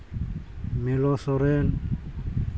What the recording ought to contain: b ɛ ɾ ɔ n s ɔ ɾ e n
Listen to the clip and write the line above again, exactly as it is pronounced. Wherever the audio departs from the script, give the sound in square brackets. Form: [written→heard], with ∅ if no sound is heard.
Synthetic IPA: [b→m] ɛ [ɾ→l] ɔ [n→∅] s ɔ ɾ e n